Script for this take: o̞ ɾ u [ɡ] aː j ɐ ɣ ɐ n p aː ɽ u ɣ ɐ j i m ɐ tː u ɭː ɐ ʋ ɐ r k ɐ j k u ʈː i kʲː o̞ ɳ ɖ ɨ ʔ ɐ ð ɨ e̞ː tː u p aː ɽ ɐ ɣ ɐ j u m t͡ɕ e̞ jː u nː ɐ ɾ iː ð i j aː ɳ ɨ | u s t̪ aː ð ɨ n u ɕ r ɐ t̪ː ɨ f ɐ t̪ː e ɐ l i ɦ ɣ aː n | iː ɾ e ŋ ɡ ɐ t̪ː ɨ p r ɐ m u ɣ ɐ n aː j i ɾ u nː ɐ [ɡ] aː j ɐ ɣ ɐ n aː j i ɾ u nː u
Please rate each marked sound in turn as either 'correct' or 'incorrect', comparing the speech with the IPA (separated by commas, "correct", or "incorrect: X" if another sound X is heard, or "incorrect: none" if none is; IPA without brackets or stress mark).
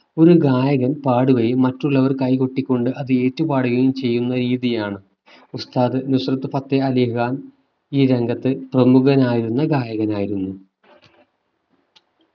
correct, correct